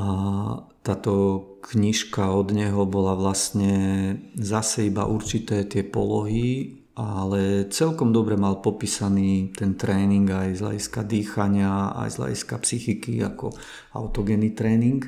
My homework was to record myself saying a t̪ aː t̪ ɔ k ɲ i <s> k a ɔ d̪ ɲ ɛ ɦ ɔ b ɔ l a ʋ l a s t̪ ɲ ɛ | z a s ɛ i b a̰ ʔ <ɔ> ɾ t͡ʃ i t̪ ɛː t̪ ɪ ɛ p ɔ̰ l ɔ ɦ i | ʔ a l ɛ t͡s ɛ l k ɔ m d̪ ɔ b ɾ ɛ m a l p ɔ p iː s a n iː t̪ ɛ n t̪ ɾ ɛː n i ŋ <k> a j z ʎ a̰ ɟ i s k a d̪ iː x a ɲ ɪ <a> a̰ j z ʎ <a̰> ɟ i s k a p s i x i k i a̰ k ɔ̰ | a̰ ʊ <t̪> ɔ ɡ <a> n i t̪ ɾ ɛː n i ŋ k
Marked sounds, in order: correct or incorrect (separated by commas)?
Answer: incorrect, incorrect, incorrect, correct, correct, correct, incorrect